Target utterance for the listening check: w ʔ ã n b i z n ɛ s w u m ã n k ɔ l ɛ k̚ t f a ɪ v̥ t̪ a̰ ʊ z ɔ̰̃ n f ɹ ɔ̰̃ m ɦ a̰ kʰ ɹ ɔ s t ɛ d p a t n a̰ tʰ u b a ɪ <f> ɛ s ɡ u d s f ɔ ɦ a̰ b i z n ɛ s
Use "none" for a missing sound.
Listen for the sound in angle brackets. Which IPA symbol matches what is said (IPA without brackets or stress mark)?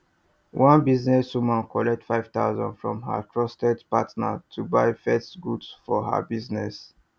f